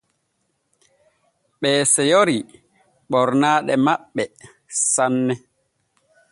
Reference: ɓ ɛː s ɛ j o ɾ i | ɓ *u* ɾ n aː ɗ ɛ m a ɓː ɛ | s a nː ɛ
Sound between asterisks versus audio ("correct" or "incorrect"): incorrect